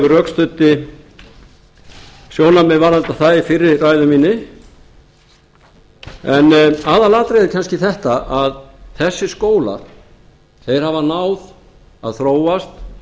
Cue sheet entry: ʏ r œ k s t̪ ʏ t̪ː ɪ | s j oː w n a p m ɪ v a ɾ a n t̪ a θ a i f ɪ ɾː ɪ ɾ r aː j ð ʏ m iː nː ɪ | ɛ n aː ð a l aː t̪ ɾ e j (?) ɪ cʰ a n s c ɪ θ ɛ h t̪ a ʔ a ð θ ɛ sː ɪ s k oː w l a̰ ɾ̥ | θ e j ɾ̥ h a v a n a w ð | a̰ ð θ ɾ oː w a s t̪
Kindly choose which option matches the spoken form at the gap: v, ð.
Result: ð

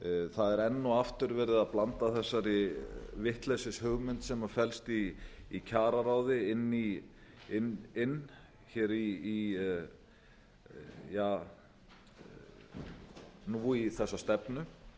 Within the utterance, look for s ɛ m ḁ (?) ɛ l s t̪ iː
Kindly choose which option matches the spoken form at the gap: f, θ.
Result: f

